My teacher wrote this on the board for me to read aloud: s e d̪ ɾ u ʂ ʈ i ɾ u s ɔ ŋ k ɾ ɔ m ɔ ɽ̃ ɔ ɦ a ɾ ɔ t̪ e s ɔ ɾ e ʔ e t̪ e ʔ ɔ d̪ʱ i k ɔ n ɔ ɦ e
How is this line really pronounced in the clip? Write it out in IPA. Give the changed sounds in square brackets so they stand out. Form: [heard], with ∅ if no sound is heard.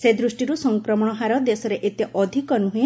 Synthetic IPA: s e d̪ ɾ u [s] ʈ i ɾ u s ɔ ŋ k ɾ ɔ m ɔ ɽ̃ ɔ ɦ a ɾ ɔ [d̪] e s ɔ ɾ e ʔ e t̪ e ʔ ɔ d̪ʱ i k ɔ n [u] ɦ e